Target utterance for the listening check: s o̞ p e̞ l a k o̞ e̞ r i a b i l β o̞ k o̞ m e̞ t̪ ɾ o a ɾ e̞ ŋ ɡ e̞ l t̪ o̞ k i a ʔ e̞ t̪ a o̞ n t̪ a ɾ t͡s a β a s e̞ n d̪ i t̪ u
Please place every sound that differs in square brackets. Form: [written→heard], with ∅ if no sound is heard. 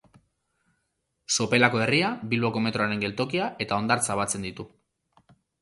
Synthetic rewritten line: s o̞ p e̞ l a k o̞ e̞ r i a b i l β o̞ k o̞ m e̞ t̪ ɾ o a ɾ e̞ ŋ ɡ e̞ l t̪ o̞ k i a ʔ e̞ t̪ a o̞ n [t̪→d̪] a ɾ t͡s a β a [s→t͡s] e̞ n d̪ i t̪ u